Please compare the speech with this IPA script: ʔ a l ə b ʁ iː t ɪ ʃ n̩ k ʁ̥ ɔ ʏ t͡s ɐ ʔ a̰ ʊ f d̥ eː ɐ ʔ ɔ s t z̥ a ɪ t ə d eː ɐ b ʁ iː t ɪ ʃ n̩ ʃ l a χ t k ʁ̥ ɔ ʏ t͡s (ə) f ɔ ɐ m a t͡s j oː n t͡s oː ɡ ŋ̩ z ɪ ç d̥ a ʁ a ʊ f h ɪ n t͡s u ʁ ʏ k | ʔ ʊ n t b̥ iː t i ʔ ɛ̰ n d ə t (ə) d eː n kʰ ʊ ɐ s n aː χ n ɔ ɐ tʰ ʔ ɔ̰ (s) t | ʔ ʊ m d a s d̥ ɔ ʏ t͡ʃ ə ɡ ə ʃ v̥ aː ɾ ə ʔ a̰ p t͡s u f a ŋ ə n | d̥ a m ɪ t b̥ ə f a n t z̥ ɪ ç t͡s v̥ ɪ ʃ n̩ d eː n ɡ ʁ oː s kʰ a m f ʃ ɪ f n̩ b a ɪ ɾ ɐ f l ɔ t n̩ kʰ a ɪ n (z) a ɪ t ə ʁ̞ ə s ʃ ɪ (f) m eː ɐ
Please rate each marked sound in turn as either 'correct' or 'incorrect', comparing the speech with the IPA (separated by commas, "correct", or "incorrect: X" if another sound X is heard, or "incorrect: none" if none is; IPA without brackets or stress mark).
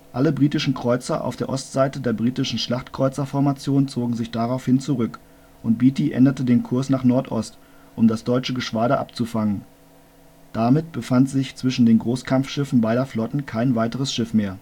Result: incorrect: ɐ, correct, correct, incorrect: v, correct